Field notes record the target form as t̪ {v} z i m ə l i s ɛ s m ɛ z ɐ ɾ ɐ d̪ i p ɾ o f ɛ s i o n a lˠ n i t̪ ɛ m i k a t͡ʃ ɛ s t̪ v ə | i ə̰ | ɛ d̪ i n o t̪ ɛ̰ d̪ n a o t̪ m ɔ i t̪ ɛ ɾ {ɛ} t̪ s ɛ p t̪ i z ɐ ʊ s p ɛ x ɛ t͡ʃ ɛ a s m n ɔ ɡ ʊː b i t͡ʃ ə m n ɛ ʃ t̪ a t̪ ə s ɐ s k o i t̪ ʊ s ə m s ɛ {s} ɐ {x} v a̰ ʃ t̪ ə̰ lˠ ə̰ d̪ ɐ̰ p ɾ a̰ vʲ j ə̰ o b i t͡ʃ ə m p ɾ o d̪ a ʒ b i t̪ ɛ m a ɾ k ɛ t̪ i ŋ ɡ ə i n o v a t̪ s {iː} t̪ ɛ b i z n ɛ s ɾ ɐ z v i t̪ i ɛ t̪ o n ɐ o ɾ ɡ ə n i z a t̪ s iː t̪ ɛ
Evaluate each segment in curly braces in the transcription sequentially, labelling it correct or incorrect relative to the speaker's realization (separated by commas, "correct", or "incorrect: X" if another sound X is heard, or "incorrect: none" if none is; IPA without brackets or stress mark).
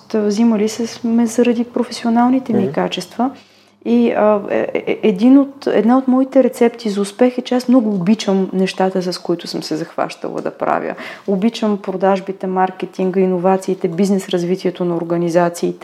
correct, correct, incorrect: z, correct, correct